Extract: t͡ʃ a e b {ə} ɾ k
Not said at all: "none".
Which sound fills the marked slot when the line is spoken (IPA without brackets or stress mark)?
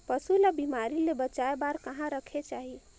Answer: a